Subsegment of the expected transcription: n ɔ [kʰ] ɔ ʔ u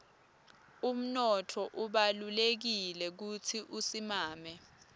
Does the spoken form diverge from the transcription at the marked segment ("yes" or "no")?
yes